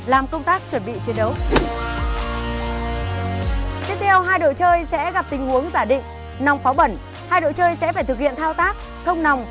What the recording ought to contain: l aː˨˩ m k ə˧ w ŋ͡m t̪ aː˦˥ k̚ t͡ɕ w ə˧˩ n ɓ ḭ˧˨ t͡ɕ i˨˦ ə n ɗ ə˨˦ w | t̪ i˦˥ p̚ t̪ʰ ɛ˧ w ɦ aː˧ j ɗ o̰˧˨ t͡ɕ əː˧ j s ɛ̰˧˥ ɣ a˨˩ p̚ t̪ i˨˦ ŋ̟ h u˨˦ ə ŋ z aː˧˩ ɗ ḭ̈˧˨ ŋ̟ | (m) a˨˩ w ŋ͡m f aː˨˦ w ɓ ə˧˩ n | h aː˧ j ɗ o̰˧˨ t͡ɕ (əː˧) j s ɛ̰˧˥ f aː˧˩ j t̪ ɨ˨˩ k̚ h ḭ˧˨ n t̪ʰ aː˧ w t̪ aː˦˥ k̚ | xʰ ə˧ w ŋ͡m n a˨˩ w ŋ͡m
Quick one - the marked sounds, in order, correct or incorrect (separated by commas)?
incorrect, correct